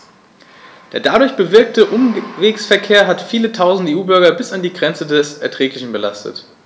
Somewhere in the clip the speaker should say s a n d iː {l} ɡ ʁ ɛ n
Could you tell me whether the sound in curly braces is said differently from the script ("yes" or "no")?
yes